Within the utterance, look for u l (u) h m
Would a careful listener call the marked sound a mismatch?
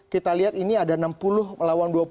yes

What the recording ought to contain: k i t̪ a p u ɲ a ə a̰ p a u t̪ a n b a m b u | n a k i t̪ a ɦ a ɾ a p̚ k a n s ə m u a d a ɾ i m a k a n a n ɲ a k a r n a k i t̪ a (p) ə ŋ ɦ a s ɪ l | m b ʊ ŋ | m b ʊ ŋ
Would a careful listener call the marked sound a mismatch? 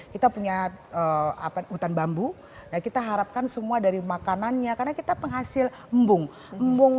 no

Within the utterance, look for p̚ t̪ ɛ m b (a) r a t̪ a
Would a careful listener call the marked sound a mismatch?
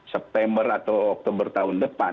yes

